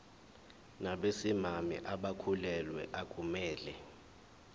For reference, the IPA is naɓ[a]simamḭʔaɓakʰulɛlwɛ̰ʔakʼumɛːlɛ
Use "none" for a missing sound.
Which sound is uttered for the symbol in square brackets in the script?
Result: e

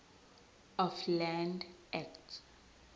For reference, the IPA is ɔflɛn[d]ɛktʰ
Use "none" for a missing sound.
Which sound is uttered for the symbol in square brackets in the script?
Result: d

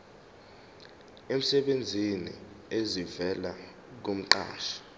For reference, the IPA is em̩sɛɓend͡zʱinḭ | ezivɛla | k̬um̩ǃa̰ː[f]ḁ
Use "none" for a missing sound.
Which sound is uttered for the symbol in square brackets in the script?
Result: ʃ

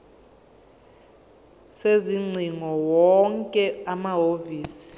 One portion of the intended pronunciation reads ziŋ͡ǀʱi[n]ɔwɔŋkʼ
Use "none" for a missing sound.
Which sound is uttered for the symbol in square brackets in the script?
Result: ŋ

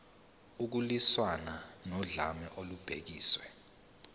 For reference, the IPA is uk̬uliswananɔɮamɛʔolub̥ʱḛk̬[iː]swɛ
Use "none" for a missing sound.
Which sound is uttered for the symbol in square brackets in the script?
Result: iː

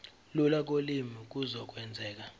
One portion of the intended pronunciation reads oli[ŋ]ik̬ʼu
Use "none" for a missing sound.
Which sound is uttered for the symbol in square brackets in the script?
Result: m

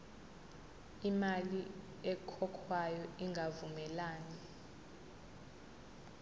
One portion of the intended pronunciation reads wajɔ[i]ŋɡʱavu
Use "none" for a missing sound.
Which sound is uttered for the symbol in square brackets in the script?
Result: i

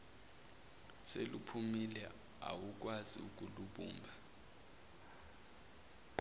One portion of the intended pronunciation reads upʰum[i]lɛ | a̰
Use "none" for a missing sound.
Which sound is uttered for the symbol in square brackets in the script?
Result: i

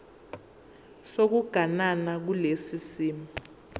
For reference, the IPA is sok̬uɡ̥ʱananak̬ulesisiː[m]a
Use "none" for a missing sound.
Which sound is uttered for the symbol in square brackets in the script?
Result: m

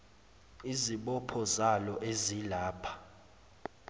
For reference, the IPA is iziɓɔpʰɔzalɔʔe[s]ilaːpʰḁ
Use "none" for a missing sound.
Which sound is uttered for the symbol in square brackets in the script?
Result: z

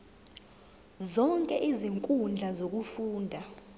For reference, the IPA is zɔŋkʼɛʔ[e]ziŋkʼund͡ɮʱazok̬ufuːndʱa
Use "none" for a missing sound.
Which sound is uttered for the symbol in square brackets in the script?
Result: i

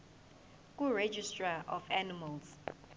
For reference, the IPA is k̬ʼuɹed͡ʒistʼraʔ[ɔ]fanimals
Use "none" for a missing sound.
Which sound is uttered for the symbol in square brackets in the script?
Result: ɔ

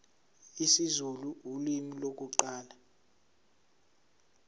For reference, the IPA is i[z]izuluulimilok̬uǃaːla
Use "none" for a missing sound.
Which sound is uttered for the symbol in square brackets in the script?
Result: s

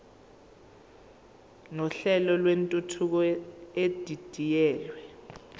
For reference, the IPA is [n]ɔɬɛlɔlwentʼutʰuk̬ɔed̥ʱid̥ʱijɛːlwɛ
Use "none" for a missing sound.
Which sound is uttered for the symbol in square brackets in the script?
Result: n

